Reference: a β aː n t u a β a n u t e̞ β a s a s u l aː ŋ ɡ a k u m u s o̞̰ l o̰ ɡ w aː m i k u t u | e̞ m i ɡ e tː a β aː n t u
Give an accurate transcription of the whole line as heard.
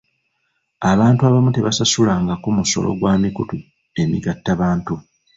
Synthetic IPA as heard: a β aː n t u a β a m u t e̞ β a s a s u l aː ŋ ɡ a k u m u s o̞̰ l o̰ ɡ w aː m i k u t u | e̞ m i ɡ a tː a β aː n t u